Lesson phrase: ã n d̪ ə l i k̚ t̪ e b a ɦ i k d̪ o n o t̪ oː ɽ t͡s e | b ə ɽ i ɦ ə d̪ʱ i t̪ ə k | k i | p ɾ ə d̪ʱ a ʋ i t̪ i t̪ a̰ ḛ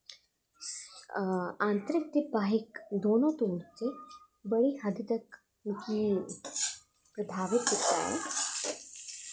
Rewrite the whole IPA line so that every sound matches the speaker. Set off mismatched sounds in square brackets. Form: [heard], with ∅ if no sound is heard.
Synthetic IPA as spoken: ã n [t̪] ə [ɾ] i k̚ t̪ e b a ɦ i k d̪ o n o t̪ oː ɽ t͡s e | b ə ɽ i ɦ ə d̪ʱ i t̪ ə k | k i | p ɾ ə d̪ʱ a ʋ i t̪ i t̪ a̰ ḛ